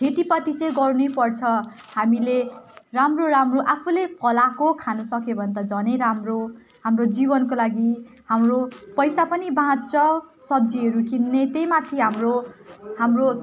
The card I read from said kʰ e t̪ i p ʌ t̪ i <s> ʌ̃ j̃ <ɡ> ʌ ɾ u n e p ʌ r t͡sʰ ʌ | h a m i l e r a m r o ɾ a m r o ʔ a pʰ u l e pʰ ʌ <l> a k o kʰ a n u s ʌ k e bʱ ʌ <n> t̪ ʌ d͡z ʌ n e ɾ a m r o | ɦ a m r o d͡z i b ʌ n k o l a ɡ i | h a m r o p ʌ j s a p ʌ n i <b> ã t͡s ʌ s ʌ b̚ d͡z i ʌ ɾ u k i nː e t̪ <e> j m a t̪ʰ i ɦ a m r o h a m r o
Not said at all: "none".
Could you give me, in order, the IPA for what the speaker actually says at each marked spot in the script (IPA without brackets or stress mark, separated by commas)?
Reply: t͡s, ɡ, l, n, b, e